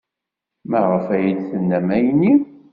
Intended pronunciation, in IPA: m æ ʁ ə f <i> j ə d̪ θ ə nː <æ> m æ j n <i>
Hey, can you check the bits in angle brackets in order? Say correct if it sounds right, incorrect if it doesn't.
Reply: incorrect, correct, correct

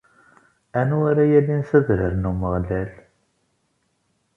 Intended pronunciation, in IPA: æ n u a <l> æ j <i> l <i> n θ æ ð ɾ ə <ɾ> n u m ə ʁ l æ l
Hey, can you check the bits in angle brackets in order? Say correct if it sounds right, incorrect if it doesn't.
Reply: incorrect, incorrect, correct, correct

